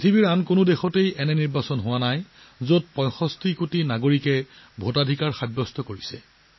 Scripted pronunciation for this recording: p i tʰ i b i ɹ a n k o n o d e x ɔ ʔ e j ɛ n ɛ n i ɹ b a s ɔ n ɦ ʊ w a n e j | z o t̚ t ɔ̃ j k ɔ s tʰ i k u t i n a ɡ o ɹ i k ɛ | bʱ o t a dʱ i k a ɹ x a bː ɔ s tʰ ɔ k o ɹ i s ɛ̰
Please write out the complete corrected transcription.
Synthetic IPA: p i tʰ i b i ɹ a n k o n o d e x ɔ t e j ɛ n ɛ n i ɹ b a s ɔ n ɦ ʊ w a n a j | z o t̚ p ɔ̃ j x ɔ s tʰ i k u t i n a ɡ o ɹ i k ɛ | bʱ o t a dʱ i k a ɹ x a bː ɔ s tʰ ɔ k o ɹ i s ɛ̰